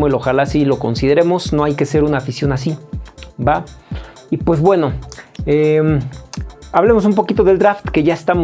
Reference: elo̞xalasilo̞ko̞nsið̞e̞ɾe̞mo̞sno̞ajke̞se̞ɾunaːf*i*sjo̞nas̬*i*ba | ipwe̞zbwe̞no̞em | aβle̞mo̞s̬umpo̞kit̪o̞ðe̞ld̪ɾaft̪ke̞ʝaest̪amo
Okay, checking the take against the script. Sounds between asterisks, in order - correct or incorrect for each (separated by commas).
correct, correct